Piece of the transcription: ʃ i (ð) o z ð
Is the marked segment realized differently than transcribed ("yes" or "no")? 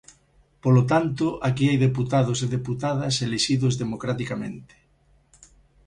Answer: no